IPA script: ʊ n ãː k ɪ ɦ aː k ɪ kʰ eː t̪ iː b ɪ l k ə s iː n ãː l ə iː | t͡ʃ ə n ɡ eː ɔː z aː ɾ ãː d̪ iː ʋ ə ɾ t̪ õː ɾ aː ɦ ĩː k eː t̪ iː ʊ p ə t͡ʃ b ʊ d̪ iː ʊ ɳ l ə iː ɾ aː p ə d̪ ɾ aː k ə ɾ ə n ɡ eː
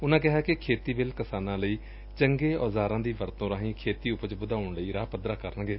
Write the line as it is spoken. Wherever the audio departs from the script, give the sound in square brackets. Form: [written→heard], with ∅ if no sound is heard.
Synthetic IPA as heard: ʊ n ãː k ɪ ɦ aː k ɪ kʰ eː t̪ iː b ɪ l k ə s [iː→aː] n ãː l ə iː | t͡ʃ ə [n→ŋ] ɡ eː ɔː z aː ɾ ãː d̪ iː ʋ ə ɾ t̪ õː ɾ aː ɦ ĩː [k→kʰ] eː t̪ iː ʊ p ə t͡ʃ b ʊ d̪ [iː→aː] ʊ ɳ l ə iː ɾ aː p ə d̪ ɾ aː k ə ɾ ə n ɡ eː